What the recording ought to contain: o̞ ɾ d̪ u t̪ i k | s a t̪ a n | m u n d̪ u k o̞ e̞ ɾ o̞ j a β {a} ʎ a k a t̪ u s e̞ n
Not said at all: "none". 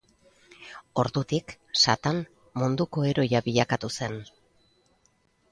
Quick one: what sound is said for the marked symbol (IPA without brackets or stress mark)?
i